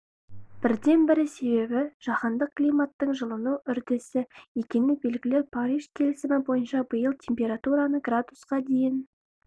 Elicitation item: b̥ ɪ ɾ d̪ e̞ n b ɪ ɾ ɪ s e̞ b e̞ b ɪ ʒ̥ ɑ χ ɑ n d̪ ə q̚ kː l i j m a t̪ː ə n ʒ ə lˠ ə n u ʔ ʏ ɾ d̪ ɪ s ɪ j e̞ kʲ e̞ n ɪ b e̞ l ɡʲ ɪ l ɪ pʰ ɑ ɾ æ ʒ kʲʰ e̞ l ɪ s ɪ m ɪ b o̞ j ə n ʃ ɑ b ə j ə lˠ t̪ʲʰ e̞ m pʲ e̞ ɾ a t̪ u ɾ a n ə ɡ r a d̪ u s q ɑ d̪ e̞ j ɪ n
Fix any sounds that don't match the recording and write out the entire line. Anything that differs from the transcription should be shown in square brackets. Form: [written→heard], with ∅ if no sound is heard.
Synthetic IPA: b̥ ɪ ɾ d̪ e̞ n b ɪ ɾ ɪ s e̞ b e̞ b ɪ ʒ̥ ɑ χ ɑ n d̪ ə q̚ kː l i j m a t̪ː ə [n→ɴ] ʒ ə lˠ ə n u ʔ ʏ ɾ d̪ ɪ s ɪ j e̞ kʲ e̞ n ɪ b e̞ l ɡʲ ɪ l ɪ pʰ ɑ ɾ [æ→i] ʒ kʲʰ e̞ l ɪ s ɪ m ɪ b o̞ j ə n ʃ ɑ b ə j ə lˠ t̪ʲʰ e̞ m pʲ e̞ ɾ a t̪ u ɾ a n ə ɡ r a d̪ u s q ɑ d̪ e̞ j ɪ n